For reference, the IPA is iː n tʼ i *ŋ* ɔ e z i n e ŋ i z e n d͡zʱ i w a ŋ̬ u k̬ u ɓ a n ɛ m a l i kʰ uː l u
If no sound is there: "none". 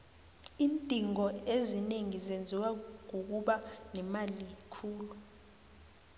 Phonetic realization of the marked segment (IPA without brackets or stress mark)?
ŋ